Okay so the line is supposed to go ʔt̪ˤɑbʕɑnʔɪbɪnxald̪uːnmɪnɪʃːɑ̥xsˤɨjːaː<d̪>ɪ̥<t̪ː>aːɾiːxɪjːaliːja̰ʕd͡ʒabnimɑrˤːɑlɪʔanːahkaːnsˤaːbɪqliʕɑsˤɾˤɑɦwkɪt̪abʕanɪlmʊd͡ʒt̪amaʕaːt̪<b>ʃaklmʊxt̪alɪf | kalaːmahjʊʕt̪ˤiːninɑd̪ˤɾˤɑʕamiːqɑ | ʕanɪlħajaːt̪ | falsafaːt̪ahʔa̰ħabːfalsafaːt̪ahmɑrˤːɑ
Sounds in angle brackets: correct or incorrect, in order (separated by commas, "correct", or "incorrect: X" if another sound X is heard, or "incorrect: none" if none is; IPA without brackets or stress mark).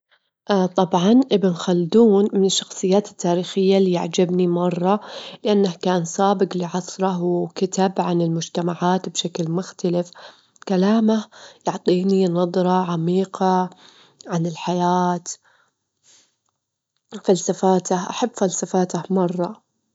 incorrect: t̪, correct, correct